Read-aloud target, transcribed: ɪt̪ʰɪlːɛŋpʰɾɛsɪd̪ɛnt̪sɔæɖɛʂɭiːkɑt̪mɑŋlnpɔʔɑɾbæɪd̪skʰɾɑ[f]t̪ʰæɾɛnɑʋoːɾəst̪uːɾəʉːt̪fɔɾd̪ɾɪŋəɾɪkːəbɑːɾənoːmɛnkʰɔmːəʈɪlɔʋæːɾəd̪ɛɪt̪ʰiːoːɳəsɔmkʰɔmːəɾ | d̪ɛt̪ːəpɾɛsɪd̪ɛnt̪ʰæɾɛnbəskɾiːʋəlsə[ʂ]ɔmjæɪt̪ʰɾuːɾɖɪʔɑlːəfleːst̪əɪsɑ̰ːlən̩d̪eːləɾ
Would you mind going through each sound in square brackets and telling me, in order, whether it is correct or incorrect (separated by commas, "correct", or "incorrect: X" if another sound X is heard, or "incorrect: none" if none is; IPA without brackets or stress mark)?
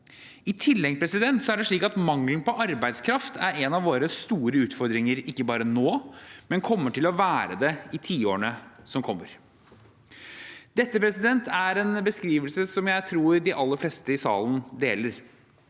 correct, incorrect: s